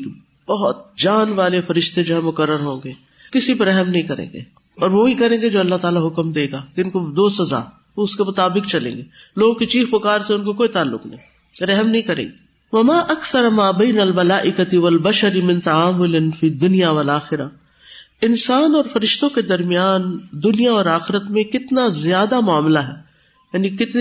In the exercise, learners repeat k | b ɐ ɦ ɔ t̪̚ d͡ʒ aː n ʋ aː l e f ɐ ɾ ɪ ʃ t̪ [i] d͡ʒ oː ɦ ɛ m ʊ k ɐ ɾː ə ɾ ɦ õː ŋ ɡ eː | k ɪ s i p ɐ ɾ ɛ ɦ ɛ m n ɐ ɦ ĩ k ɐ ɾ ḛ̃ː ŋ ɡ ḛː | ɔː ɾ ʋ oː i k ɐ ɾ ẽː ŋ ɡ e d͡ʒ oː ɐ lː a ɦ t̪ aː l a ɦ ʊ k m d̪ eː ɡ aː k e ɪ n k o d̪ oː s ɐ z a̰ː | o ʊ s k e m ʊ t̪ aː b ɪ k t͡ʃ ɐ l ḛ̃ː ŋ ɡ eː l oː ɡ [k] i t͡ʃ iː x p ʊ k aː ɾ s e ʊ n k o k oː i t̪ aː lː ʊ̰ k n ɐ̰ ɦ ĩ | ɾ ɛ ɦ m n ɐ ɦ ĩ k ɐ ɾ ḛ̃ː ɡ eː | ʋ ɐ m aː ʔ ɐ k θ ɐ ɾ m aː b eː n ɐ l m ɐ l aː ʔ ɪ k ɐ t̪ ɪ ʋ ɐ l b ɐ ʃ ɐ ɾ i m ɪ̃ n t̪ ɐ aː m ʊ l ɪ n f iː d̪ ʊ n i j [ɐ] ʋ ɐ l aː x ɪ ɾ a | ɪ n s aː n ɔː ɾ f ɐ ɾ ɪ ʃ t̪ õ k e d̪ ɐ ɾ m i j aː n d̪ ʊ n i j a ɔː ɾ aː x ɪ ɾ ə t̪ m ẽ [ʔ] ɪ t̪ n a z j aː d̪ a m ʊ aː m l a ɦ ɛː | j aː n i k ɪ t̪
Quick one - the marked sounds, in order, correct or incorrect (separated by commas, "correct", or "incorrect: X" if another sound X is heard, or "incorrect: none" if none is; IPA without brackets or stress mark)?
incorrect: e, correct, incorrect: a, incorrect: k